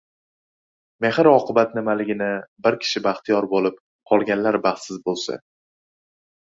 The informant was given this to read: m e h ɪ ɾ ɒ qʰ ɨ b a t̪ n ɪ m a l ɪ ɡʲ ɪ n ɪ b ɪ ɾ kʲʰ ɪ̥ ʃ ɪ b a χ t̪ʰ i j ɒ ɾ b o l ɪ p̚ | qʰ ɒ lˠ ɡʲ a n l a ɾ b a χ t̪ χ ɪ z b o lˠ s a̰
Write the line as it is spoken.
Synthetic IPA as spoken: m e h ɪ ɾ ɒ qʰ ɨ b a t̪ n ɪ m a l ɪ ɡʲ ɪ n ɪ b ɪ ɾ kʲʰ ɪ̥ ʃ ɪ b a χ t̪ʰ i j ɒ ɾ b o l ɪ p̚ | qʰ ɒ lˠ ɡʲ a n l a ɾ b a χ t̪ s ɪ z b o lˠ s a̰